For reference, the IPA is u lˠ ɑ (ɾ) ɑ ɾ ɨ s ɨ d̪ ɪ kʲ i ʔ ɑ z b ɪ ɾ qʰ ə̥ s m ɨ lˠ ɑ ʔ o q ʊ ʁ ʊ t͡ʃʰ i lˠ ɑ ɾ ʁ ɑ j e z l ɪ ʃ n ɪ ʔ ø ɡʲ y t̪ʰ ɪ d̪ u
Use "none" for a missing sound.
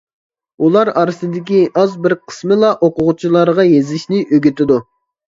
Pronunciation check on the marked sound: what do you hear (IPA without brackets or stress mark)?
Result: ɾ